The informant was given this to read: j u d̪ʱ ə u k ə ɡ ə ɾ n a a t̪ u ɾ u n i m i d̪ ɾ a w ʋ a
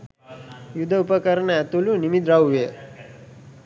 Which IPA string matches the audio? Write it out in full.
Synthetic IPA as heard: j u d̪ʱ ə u p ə k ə ɾ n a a t̪ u l u n i m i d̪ ɾ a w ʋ e